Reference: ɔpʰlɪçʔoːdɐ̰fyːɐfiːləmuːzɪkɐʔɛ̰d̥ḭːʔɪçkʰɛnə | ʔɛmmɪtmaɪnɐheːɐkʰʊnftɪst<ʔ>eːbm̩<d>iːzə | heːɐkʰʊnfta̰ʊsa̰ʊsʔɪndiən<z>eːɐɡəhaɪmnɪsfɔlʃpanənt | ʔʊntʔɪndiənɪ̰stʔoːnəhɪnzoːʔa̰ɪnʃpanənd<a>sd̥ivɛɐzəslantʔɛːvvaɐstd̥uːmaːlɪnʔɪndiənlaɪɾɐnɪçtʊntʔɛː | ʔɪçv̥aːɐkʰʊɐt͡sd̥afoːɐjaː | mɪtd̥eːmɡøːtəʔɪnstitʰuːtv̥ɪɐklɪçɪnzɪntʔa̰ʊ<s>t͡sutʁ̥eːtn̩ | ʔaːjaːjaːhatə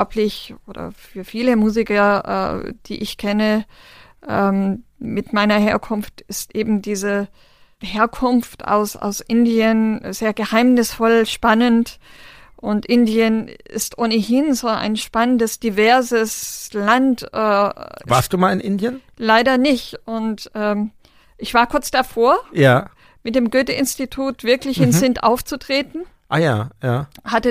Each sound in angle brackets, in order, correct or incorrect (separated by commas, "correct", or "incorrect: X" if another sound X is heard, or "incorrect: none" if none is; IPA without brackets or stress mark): correct, correct, correct, incorrect: ə, incorrect: f